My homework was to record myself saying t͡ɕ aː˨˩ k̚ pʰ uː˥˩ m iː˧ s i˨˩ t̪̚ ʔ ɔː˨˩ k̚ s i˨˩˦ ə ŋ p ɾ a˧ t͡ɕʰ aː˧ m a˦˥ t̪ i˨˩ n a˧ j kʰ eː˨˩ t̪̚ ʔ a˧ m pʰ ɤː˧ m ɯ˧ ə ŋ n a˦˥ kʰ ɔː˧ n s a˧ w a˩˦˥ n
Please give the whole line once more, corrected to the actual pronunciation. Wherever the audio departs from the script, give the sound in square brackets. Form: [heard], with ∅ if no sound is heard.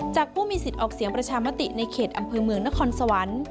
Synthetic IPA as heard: t͡ɕ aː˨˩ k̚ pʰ uː˥˩ m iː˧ s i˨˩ t̪̚ ʔ ɔː˨˩ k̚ s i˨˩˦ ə ŋ p ɾ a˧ t͡ɕʰ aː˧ m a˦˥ t̪ i˨˩ n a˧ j kʰ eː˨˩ t̪̚ ʔ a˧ m pʰ ɤː˧ m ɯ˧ ə ŋ n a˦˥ kʰ ɔː˧ n s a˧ w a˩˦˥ n